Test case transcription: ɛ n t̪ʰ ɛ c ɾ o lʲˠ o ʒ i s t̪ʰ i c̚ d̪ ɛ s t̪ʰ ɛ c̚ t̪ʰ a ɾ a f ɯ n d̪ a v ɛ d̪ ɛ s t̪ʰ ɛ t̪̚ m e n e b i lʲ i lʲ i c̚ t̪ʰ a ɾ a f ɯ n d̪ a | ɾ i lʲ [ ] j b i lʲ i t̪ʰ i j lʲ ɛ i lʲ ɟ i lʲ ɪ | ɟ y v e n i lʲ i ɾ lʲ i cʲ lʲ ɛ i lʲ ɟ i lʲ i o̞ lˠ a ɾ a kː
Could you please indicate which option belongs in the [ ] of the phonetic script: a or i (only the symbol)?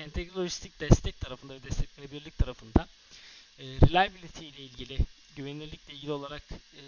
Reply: a